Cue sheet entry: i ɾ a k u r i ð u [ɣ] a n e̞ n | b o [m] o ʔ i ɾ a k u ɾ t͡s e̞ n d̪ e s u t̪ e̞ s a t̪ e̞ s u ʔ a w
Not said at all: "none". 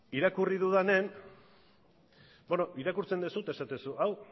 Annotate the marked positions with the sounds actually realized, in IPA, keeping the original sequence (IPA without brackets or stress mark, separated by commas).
ð, n